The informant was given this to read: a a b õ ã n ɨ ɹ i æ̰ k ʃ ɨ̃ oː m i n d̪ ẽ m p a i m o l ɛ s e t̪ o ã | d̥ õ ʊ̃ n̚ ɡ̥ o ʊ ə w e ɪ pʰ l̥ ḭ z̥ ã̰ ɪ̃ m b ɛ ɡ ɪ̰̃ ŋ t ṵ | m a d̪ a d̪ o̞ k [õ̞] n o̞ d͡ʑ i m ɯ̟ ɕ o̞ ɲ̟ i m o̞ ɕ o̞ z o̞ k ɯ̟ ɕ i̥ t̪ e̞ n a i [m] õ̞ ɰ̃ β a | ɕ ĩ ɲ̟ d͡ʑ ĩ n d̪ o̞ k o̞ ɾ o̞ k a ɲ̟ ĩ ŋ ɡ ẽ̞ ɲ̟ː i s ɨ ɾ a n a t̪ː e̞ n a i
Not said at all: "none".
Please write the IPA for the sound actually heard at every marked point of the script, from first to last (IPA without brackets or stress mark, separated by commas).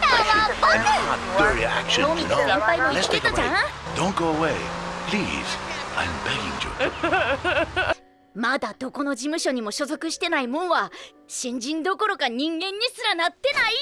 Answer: o̞, m